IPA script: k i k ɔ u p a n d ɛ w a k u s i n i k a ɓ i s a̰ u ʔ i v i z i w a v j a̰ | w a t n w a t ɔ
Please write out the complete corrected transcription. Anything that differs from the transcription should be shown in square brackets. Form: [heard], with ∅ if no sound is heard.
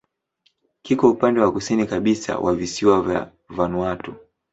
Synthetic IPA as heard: k i k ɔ u p a n d ɛ w a k u s i n i k a ɓ i s a̰ [w] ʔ [a] v i [s] i w a v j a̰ | [v] a [∅] n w a t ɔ